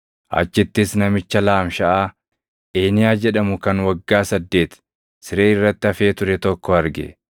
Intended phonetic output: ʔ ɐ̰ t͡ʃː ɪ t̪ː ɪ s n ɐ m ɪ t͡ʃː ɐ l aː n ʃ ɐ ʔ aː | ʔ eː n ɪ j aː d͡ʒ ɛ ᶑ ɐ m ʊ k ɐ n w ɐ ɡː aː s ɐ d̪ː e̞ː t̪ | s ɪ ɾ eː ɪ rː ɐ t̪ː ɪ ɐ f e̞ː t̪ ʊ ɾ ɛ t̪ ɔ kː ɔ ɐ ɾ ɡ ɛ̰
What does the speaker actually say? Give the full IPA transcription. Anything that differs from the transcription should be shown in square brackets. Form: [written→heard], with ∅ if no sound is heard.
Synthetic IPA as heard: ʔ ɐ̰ t͡ʃː ɪ t̪ː ɪ s n ɐ m ɪ t͡ʃː ɐ l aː [n→m] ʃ ɐ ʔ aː | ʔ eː n ɪ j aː d͡ʒ ɛ ᶑ ɐ m ʊ k ɐ n w ɐ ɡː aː s ɐ d̪ː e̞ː t̪ | s ɪ ɾ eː ɪ rː ɐ t̪ː ɪ ɐ f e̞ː t̪ ʊ ɾ ɛ t̪ ɔ kː ɔ ɐ ɾ ɡ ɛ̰